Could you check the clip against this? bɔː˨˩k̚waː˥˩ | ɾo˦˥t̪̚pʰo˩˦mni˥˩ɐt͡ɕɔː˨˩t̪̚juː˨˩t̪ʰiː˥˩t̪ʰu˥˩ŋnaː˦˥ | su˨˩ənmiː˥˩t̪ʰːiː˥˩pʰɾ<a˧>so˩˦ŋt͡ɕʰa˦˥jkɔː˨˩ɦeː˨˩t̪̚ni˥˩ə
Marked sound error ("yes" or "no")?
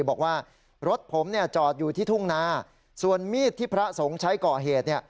yes